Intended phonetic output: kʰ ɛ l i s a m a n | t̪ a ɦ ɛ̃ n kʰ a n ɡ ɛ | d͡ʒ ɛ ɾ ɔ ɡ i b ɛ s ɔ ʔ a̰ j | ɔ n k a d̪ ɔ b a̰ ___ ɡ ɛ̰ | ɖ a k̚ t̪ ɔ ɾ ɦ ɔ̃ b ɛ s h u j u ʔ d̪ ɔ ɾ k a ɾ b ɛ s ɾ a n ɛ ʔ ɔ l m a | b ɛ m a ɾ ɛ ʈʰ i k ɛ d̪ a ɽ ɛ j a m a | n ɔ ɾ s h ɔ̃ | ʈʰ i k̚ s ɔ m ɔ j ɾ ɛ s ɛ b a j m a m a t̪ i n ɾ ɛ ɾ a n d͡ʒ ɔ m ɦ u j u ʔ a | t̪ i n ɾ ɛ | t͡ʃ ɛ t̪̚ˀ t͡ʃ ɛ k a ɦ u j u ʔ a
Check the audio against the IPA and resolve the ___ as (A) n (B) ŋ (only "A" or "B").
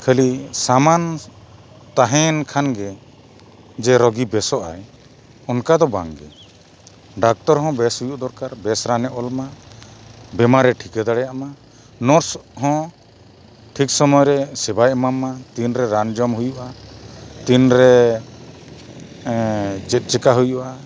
B